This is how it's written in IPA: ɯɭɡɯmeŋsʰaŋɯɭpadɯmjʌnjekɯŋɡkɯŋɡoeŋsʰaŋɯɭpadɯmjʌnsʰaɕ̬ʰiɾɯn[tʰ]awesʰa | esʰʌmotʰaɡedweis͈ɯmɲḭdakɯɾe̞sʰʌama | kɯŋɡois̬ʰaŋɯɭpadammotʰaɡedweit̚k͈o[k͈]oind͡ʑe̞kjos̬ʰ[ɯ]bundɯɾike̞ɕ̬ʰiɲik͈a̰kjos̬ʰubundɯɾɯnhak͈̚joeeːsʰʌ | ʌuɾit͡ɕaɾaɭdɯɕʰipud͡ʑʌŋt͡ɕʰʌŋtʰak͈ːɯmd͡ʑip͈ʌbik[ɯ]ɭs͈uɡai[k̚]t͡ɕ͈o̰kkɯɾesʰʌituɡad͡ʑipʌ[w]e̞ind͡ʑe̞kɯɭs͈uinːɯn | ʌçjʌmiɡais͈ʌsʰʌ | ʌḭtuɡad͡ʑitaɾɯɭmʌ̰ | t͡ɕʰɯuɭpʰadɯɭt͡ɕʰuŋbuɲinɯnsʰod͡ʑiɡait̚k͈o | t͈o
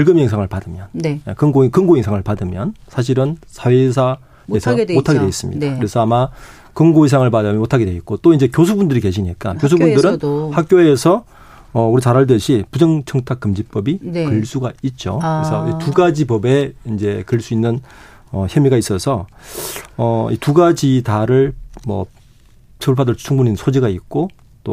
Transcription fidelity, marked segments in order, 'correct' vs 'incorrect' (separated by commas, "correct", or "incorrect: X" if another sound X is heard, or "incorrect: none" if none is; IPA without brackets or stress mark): incorrect: sʰ, incorrect: t͈, incorrect: u, correct, incorrect: t̚, incorrect: b